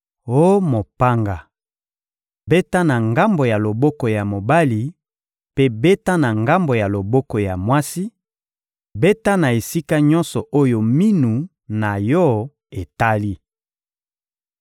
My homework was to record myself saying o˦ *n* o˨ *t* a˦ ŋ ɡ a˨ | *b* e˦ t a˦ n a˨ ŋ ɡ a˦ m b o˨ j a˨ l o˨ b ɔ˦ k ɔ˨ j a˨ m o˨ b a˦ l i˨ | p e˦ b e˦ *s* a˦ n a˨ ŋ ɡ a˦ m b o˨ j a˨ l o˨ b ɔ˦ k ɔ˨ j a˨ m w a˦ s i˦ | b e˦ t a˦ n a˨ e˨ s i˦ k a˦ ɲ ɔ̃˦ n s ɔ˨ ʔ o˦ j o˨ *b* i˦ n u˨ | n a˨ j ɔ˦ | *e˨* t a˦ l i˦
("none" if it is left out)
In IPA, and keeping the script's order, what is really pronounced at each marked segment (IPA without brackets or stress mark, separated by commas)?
m, p, b, t, m, e˨